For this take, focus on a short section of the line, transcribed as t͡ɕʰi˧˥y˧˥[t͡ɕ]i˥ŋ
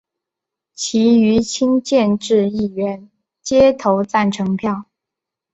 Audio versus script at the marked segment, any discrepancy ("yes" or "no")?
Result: yes